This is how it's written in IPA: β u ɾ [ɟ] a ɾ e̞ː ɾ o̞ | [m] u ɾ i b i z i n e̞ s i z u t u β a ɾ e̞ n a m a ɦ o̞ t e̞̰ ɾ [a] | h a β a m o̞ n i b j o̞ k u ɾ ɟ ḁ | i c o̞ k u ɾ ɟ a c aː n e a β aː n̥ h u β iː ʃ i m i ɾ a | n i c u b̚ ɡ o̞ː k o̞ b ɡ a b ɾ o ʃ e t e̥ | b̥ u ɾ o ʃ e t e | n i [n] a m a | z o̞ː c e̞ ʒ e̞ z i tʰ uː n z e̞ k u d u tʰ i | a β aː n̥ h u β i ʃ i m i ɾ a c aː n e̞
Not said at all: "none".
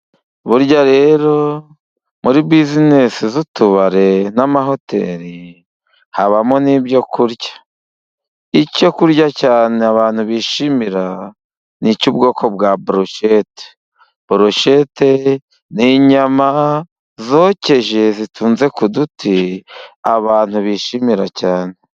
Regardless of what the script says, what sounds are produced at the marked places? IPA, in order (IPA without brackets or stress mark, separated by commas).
ɟ, m, i, ɲ